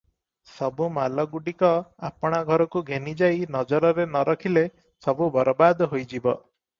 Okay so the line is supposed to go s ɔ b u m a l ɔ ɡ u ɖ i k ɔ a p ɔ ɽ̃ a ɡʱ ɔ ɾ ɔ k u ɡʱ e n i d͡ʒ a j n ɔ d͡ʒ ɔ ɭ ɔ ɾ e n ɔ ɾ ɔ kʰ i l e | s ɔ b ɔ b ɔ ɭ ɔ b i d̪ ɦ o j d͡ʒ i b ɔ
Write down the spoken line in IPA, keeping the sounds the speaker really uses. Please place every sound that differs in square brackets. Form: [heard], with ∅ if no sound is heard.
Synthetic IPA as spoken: s ɔ b u m a l ɔ ɡ u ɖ i k ɔ a p ɔ ɽ̃ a ɡʱ ɔ ɾ ɔ k u ɡʱ e n i d͡ʒ a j n ɔ d͡ʒ ɔ [ɾ] ɔ ɾ e n ɔ ɾ ɔ kʰ i l e | s ɔ b [u] b ɔ [ɾ] ɔ b [a] d̪ ɦ o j d͡ʒ i b ɔ